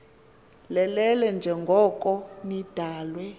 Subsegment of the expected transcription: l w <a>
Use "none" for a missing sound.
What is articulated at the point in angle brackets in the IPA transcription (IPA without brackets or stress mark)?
ɛ